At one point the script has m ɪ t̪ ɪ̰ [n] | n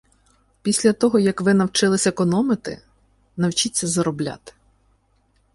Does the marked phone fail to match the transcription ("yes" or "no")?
yes